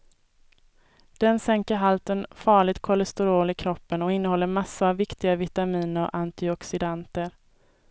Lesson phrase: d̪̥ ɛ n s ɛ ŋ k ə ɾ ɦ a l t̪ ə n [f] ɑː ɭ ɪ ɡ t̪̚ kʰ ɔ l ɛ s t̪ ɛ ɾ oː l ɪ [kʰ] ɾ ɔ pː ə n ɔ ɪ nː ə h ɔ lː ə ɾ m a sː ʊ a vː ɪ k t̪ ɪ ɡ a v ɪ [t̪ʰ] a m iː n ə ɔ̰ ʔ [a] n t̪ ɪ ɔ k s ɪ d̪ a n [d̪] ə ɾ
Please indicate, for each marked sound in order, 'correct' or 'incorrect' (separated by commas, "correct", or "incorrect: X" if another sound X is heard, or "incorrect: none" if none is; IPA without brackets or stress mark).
correct, correct, incorrect: t̪, correct, incorrect: t̪